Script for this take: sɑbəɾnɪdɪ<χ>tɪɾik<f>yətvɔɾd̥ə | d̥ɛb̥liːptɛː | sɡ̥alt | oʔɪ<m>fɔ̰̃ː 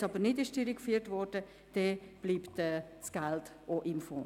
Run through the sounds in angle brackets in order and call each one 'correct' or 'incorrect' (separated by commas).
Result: incorrect, correct, correct